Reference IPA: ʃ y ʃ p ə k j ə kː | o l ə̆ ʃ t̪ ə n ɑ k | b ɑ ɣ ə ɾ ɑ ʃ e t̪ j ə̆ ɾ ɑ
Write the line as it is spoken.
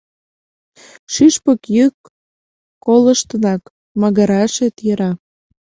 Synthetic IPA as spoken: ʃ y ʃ p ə k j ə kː | o l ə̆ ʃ t̪ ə n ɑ k | m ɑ ɣ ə ɾ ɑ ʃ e t̪ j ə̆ ɾ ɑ